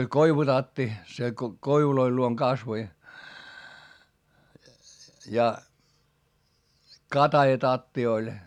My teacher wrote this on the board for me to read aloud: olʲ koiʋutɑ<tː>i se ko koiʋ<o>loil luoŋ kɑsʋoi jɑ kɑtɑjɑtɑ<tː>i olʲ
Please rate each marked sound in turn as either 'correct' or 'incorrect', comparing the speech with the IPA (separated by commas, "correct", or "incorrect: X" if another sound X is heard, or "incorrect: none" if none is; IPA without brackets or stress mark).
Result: correct, incorrect: u, correct